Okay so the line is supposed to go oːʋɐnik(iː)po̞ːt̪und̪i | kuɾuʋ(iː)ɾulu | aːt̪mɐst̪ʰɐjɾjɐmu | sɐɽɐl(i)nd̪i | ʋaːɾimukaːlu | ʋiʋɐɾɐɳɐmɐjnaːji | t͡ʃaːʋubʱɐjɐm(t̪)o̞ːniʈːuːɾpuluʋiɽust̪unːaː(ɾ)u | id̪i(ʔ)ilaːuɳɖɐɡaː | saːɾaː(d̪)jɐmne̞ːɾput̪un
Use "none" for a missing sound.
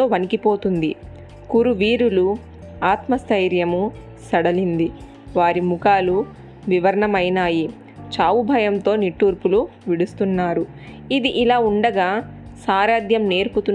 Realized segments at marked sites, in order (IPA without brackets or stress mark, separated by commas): i, iː, i, t̪, ɾ, ʔ, d̪